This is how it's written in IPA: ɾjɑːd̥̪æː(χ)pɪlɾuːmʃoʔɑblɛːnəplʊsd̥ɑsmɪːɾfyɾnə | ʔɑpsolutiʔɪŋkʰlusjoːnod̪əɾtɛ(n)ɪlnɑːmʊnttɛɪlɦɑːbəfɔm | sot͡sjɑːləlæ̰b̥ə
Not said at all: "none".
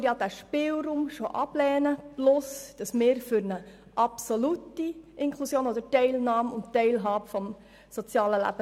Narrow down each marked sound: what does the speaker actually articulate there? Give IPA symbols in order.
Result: ʃ, none

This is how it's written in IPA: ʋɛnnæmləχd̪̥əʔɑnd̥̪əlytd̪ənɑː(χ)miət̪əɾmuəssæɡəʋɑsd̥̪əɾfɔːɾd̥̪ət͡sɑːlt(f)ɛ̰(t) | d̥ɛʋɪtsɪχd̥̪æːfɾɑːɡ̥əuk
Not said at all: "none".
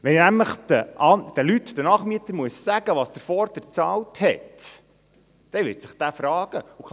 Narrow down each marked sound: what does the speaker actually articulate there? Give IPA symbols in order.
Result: χ, h, t

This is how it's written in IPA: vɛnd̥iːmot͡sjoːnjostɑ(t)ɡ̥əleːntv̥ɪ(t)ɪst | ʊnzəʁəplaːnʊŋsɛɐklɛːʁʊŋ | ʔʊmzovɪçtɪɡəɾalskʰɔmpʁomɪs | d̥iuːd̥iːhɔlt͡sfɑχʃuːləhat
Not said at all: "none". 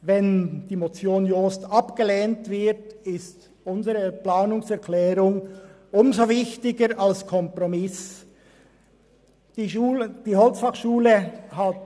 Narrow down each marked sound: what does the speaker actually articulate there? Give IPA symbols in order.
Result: p, t

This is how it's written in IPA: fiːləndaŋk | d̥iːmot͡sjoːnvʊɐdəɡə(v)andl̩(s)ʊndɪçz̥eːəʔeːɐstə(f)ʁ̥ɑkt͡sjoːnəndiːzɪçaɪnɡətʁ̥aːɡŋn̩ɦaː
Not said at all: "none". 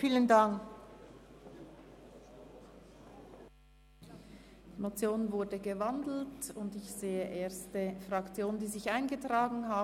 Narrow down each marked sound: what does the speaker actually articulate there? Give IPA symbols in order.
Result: v, t, f

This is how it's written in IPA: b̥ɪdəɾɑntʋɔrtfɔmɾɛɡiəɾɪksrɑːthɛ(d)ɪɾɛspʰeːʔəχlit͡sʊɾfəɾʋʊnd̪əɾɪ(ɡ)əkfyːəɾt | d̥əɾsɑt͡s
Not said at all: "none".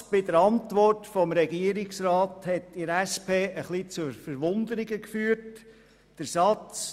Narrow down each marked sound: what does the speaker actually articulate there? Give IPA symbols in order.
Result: t, ɡ

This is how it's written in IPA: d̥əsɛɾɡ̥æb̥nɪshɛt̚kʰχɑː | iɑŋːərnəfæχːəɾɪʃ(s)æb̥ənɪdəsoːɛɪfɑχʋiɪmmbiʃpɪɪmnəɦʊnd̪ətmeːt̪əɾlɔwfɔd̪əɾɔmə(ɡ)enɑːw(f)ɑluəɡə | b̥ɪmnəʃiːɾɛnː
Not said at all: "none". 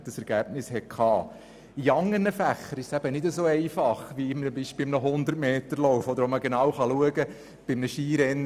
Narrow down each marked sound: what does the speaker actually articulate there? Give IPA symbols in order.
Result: s, ɡ, χ

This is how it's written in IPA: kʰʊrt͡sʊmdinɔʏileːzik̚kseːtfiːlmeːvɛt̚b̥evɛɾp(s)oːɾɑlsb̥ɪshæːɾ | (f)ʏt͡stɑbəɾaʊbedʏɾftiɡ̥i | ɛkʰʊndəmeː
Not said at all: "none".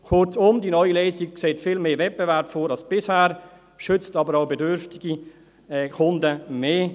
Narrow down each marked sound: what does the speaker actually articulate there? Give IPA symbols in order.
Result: f, ʃ

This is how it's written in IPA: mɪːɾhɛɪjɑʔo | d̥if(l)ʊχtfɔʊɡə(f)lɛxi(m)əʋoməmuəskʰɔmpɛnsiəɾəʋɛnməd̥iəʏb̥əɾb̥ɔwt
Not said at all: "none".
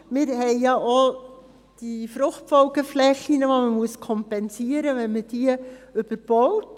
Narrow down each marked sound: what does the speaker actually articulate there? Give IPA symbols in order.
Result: ɾ, f, n

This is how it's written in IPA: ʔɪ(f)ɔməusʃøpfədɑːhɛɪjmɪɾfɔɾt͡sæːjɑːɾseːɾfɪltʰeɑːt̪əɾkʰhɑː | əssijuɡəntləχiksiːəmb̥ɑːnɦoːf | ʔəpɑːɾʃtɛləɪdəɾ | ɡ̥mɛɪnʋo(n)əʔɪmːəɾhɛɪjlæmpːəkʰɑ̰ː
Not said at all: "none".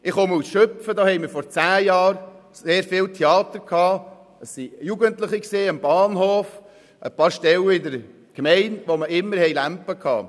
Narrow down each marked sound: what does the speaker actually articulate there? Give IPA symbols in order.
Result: χ, m

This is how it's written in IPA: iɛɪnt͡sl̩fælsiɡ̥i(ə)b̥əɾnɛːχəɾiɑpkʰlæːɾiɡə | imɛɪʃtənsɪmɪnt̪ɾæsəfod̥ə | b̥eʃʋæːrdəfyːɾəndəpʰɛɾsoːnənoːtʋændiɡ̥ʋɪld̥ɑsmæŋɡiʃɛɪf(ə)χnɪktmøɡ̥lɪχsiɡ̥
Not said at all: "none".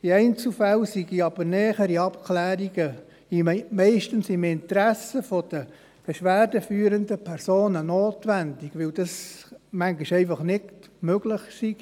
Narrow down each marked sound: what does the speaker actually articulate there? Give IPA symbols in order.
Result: ɑ, ɑ

